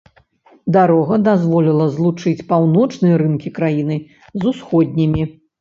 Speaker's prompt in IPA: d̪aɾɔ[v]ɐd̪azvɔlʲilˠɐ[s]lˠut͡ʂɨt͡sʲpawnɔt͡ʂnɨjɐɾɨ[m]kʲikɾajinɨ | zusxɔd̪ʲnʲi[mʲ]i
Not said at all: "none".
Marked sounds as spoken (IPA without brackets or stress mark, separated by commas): ɣ, z, n, mʲ